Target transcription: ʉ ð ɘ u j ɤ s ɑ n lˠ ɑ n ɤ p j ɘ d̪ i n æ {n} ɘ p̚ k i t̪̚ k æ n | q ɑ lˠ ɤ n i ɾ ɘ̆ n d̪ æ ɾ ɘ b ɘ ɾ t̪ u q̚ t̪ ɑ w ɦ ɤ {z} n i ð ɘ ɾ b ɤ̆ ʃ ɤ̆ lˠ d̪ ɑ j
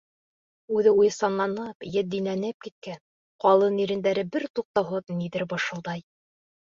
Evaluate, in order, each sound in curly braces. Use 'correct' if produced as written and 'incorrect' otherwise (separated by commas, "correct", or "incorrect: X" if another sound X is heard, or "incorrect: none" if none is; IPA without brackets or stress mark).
correct, incorrect: ð